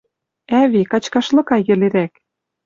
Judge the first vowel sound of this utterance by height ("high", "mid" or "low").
low